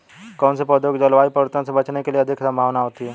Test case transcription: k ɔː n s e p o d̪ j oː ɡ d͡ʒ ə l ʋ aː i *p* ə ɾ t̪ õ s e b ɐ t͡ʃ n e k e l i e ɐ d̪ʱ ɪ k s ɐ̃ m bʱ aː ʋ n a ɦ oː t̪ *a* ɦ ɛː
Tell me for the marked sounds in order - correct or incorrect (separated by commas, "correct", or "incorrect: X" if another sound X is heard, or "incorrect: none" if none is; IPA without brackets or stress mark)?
correct, incorrect: i